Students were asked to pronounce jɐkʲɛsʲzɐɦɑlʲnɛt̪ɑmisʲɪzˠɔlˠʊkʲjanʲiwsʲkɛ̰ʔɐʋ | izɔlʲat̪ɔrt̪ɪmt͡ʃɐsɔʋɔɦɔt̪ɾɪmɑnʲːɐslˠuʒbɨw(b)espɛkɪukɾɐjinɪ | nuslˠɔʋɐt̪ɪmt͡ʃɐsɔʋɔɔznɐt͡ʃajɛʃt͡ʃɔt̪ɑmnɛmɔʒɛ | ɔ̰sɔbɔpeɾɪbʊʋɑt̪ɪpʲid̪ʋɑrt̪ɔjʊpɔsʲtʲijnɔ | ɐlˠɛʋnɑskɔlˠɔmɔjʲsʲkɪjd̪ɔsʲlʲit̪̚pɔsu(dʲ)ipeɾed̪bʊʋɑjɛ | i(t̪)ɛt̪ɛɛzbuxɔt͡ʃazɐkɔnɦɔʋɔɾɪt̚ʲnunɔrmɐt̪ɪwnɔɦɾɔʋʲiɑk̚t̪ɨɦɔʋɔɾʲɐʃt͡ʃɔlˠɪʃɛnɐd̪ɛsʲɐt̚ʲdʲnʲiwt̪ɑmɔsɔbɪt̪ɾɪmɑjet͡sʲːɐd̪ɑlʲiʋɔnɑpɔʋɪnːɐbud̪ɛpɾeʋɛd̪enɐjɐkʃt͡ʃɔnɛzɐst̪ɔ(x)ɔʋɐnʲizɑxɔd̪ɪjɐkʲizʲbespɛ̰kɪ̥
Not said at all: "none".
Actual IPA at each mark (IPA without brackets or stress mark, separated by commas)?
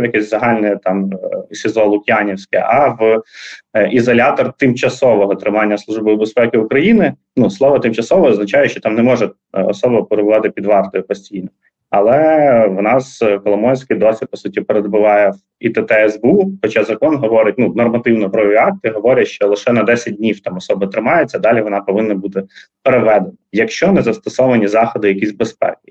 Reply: b, tʲ, t̪, s